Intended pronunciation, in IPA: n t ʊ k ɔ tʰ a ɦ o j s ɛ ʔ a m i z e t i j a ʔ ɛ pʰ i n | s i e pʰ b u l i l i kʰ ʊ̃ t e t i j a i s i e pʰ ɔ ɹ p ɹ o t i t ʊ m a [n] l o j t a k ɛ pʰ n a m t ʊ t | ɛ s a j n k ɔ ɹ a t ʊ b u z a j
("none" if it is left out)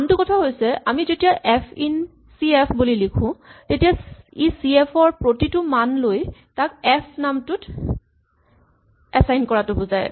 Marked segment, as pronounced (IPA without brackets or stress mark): n